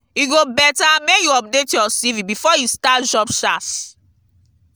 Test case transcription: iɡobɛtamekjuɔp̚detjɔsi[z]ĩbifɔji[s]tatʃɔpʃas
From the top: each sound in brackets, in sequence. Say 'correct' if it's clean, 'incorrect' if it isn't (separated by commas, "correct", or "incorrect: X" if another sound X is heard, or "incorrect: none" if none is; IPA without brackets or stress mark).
incorrect: v, correct